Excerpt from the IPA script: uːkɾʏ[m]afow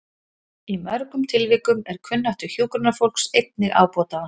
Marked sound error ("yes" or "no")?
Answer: yes